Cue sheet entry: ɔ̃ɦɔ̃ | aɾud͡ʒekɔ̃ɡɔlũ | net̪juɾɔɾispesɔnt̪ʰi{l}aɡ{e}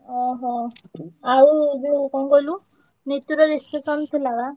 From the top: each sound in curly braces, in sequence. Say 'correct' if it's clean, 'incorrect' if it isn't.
correct, incorrect

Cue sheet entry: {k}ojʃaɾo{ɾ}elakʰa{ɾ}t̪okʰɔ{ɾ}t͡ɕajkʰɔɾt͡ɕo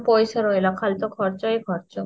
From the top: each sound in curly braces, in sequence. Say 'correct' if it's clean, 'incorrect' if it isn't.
incorrect, incorrect, incorrect, correct

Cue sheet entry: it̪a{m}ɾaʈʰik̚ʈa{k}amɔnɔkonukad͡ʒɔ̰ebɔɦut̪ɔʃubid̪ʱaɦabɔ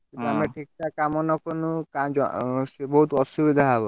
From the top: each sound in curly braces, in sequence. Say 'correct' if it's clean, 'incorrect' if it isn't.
correct, correct

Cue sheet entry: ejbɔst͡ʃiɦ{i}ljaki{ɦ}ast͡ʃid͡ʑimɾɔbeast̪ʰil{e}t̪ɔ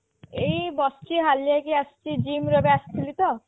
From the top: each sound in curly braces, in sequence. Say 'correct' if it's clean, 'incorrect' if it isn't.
incorrect, incorrect, incorrect

